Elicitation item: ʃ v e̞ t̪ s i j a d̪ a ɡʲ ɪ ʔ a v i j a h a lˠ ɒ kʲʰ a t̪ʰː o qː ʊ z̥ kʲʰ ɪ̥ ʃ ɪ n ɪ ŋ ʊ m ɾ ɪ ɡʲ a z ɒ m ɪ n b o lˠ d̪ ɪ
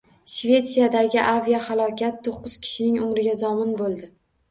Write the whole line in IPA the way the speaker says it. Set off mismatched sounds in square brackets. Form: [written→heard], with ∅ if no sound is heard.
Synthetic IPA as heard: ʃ v e̞ t̪ s i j a d̪ a ɡʲ ɪ ʔ a v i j a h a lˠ ɒ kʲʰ a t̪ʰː o qː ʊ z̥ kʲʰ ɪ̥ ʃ ɪ n ɪ ŋ ʊ m ɾ ɪ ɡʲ a z ɒ m ɪ n b o lˠ d̪ ɪ